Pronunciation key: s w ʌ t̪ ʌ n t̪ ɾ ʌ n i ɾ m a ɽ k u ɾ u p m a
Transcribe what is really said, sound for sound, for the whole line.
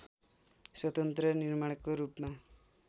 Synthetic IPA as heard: s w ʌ t̪ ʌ n t̪ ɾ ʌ n i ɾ m a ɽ k o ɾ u p m a